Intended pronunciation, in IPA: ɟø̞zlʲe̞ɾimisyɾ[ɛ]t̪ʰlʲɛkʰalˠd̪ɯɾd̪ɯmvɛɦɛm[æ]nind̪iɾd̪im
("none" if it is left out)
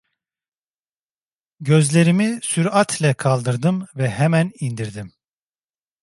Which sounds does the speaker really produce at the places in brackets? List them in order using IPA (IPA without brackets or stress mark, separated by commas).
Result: a, æ